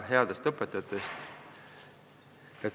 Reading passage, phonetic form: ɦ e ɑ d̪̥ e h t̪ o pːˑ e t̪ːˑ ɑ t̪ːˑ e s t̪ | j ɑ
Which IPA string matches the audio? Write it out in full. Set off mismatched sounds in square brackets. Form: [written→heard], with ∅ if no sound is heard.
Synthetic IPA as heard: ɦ e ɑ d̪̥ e [h→s] t̪ [o→ɤ] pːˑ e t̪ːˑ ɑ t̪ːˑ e s t̪ | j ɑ